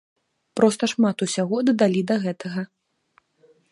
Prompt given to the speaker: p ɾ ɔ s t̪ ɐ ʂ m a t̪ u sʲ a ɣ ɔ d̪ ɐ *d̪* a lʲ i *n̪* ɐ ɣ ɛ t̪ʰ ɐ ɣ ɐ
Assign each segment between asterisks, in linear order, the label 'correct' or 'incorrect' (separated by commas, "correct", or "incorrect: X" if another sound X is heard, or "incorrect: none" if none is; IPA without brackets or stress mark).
correct, incorrect: d̪